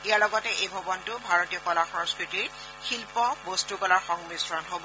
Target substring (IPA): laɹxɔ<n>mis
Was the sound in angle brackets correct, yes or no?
no